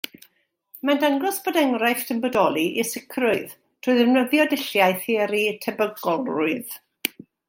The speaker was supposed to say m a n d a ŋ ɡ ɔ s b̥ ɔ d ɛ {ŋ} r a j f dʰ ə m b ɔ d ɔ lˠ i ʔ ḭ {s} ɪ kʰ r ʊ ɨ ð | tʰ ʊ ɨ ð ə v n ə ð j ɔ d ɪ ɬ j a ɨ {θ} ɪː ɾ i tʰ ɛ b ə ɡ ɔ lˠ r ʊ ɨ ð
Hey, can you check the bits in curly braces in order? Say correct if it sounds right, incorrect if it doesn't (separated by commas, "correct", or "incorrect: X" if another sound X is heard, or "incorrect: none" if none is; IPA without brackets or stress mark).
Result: correct, correct, correct